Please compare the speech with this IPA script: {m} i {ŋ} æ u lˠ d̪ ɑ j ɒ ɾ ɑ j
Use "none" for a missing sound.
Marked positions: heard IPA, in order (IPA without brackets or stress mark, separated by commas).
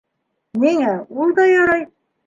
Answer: n, ŋ